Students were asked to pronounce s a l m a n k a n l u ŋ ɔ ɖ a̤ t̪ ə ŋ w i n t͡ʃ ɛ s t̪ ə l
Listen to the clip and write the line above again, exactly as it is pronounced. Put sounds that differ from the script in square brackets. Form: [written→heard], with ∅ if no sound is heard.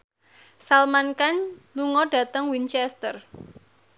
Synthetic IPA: s a l m a n k a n l u ŋ ɔ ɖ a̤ t̪ ə ŋ w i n t͡ʃ ɛ s t̪ ə [l→r]